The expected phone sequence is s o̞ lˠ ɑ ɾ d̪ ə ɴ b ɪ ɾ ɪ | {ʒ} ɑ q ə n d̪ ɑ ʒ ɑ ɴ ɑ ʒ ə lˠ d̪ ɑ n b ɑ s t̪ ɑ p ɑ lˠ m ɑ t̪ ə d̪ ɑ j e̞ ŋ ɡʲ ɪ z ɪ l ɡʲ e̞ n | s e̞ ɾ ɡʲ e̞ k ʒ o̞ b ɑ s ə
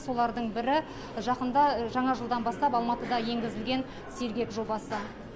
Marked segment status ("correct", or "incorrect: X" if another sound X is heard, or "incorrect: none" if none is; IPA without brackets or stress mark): correct